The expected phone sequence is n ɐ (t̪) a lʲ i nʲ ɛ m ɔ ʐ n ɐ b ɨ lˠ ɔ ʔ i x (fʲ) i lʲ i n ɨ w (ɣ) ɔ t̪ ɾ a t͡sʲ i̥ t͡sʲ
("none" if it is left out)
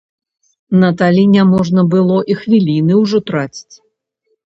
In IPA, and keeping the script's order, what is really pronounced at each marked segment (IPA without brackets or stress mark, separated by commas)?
t̪, vʲ, ʐ